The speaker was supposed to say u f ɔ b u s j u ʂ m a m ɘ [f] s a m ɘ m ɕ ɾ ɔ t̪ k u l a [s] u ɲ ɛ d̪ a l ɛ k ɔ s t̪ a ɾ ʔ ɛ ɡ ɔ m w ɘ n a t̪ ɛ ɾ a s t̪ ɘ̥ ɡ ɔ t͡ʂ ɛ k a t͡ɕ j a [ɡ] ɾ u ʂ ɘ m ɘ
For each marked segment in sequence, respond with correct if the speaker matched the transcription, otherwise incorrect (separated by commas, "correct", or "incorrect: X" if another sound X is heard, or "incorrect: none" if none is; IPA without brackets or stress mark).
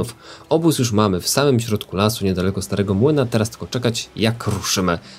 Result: correct, correct, incorrect: k